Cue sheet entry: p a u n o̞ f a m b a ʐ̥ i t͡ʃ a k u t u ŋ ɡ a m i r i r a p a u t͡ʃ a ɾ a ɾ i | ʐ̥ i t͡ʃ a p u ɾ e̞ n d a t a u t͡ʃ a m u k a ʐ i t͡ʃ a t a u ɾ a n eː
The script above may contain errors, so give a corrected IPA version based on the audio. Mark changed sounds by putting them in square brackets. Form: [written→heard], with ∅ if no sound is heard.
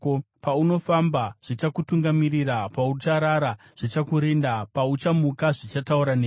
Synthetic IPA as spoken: p a u n o̞ f a m b a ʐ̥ i t͡ʃ a k u t u ŋ ɡ a m i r i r a p a u t͡ʃ a ɾ a ɾ [i→a] | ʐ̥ i t͡ʃ a [p→k] u ɾ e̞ n d a [t→p] a u t͡ʃ a m u k a ʐ i t͡ʃ a t a u ɾ a n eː